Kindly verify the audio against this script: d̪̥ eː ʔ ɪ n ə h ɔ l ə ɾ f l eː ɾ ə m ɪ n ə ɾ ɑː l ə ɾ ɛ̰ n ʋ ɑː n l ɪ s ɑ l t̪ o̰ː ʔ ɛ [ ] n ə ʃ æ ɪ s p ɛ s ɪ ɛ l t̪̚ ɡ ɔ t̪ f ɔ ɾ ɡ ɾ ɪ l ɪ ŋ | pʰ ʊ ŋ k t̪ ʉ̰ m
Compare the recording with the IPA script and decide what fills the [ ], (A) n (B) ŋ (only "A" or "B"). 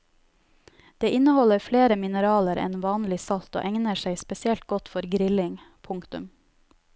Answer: B